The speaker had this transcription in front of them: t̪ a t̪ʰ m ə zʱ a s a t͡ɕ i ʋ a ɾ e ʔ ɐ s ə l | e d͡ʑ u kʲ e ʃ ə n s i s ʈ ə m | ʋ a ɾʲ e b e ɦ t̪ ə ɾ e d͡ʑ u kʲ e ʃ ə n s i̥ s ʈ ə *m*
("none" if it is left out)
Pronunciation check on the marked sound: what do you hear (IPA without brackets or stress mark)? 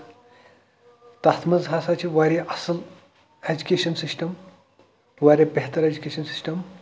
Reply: m